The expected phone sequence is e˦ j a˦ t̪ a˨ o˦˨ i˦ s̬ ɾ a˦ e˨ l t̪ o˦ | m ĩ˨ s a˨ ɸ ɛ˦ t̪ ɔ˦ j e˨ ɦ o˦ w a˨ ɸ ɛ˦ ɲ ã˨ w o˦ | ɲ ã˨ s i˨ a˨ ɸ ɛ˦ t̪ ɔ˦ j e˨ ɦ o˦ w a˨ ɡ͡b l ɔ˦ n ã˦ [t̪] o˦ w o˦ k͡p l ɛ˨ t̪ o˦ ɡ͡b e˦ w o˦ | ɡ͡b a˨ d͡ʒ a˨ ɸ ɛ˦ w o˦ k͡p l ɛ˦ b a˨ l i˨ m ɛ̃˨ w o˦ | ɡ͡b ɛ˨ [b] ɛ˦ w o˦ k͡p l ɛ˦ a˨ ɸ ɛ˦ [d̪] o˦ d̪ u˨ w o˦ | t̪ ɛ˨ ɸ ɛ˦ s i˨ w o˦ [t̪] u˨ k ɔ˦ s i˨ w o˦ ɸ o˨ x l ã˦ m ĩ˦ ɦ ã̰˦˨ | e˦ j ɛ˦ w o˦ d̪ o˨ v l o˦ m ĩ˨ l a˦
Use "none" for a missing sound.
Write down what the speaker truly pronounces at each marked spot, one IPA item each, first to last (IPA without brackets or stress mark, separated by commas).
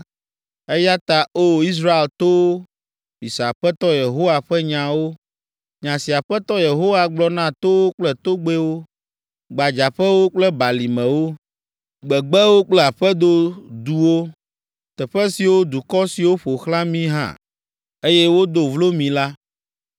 t̪, ɡ͡b, d̪, d̪